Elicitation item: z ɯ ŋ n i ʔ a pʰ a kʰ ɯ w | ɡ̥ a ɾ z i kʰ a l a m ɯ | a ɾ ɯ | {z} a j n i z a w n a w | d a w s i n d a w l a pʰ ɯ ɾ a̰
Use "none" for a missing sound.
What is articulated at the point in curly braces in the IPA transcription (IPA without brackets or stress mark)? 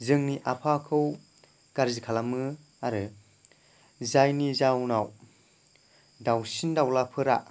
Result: z